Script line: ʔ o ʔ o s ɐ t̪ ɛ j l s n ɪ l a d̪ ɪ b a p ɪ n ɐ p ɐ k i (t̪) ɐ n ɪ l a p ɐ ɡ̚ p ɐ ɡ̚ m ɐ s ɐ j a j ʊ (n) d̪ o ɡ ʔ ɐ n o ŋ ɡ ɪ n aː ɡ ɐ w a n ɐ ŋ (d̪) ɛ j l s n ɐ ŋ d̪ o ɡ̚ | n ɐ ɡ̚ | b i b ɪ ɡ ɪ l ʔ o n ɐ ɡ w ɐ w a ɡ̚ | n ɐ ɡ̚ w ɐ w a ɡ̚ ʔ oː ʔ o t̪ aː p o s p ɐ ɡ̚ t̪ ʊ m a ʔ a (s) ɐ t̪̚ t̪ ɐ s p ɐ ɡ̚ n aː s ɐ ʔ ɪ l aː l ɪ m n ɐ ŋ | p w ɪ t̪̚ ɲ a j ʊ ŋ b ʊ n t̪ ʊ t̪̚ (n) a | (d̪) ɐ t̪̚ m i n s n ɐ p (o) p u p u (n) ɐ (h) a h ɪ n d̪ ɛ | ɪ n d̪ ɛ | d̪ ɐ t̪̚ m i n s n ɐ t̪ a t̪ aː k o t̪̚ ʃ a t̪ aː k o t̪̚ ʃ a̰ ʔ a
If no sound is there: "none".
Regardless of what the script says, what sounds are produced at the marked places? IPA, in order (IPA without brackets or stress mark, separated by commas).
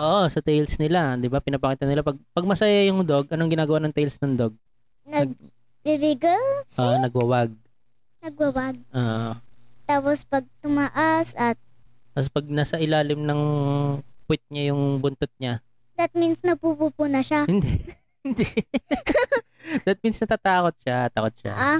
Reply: t̪, ŋ, t̪, s, ɲ, d̪, u, n, ʃ